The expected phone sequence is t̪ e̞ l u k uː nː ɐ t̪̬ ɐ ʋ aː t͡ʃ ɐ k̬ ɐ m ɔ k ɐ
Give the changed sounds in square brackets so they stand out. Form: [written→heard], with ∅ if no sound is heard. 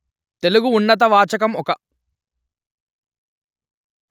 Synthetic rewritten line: t̪ e̞ l u [k→ɡ] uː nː ɐ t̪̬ ɐ ʋ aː t͡ʃ ɐ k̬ ɐ m ɔ k ɐ